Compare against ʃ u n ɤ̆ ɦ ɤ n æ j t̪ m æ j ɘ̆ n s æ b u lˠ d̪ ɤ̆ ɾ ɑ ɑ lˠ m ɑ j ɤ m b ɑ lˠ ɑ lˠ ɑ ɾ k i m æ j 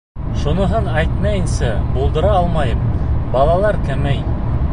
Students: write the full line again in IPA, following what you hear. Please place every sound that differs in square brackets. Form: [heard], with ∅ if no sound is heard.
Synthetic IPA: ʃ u n ɤ̆ ɦ ɤ n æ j t̪ m æ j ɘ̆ n s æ b u lˠ d̪ ɤ̆ ɾ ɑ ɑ lˠ m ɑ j ɤ m b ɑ lˠ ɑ lˠ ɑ ɾ k [æ] m æ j